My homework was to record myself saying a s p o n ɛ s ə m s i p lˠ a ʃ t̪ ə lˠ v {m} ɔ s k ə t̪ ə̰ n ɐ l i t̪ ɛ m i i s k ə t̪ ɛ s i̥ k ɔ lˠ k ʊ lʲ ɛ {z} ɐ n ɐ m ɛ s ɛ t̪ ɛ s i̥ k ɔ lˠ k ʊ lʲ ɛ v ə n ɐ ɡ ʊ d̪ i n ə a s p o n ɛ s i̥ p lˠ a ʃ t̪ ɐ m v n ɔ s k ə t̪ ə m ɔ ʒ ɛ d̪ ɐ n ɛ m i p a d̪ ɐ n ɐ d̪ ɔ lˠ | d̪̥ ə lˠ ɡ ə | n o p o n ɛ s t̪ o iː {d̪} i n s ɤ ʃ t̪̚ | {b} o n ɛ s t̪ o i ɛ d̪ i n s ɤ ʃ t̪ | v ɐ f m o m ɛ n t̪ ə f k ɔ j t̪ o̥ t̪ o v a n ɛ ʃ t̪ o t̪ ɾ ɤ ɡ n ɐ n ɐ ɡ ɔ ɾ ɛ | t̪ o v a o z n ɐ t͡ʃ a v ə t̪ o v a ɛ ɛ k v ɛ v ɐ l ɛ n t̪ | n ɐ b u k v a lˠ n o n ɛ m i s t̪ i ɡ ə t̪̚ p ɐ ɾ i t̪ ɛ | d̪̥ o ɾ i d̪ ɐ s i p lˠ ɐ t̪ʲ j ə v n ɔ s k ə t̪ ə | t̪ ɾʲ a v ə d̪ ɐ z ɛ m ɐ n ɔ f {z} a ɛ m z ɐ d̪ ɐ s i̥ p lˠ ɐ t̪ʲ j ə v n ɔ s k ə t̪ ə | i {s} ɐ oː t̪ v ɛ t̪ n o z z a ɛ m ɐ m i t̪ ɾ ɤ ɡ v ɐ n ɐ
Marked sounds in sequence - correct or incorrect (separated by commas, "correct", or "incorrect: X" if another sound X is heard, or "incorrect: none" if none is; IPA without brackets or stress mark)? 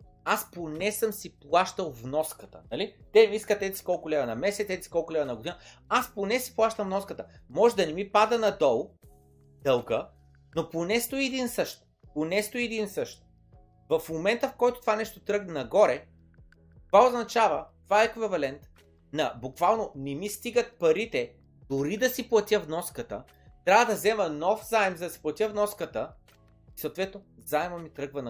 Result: incorrect: n, incorrect: v, correct, incorrect: p, correct, correct